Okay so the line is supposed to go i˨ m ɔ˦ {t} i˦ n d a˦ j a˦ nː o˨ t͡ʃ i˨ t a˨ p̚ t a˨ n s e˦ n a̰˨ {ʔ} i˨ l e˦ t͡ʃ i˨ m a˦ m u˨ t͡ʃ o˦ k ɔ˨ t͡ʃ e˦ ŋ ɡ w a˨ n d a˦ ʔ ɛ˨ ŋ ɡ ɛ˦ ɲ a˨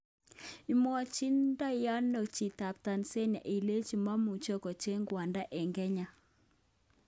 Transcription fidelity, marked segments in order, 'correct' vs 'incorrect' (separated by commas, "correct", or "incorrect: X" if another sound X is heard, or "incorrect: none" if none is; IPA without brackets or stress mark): incorrect: t͡ʃ, correct